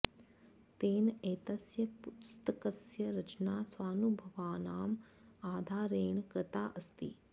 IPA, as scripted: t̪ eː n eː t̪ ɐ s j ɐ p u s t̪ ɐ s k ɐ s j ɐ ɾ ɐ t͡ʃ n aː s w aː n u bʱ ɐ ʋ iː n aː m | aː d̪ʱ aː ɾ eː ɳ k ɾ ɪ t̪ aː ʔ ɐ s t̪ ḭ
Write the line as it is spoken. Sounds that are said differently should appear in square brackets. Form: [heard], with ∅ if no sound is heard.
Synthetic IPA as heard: t̪ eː n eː t̪ ɐ s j ɐ p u s t̪ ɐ [∅] k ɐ s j ɐ ɾ ɐ t͡ʃ n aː s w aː n u bʱ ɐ ʋ [aː] n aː m | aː d̪ʱ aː ɾ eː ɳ k ɾ ɪ t̪ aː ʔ ɐ s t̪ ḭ